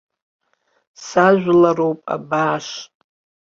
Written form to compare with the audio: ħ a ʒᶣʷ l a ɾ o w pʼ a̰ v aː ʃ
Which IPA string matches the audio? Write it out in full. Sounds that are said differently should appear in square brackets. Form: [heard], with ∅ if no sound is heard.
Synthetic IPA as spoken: [s] a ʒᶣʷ l a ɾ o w pʼ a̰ [b] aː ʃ